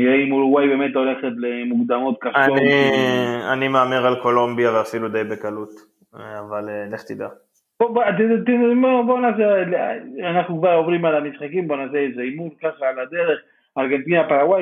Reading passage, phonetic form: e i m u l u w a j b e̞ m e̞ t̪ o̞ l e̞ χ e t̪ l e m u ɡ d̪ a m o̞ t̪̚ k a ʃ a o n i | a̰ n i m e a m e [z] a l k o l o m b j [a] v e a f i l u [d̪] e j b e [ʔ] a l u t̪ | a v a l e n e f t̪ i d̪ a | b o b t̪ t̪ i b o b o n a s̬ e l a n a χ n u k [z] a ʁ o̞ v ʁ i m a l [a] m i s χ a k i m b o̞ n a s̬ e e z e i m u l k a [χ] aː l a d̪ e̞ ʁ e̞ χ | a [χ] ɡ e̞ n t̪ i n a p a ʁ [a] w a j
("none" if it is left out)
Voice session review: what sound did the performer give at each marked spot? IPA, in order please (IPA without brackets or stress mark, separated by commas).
ʁ, a, d̪, k, v, a, χ, ʁ, a